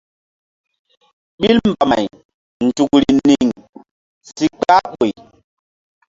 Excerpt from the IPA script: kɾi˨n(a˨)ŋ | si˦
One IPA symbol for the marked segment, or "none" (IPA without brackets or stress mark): i˨